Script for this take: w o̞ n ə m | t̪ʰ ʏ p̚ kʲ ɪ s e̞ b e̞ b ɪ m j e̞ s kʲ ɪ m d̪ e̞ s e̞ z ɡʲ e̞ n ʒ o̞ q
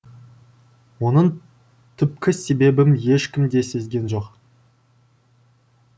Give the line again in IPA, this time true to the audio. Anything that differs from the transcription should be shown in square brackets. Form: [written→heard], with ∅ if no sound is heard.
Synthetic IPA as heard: w o̞ n ə [m→ɴ] | t̪ʰ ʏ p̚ kʲ ɪ s e̞ b e̞ b ɪ m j e̞ [s→ʃ] kʲ ɪ m d̪ e̞ s e̞ z ɡʲ e̞ n ʒ o̞ q